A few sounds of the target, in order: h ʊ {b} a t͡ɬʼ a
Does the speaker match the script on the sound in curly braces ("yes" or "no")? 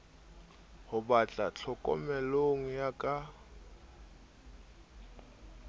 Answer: yes